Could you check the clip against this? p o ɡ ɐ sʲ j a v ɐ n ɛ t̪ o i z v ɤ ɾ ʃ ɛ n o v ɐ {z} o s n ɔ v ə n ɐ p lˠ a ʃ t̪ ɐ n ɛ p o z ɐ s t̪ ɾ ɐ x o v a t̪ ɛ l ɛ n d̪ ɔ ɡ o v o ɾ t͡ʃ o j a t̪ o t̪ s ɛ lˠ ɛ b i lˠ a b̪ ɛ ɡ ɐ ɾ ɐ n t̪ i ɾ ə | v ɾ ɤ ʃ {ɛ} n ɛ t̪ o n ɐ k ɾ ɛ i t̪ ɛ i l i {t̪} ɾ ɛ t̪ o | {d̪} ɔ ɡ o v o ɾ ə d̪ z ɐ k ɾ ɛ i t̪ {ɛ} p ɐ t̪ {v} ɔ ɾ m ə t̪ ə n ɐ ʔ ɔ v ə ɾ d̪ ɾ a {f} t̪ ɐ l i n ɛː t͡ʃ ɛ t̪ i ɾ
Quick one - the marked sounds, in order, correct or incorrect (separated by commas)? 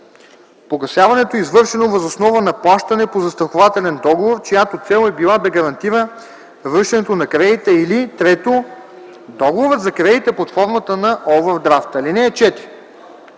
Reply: correct, correct, correct, correct, correct, incorrect, correct